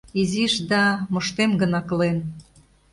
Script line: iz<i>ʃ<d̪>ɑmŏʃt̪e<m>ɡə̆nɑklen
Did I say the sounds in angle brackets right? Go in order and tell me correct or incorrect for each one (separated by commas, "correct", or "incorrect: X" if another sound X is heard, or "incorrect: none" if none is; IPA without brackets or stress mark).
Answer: correct, correct, correct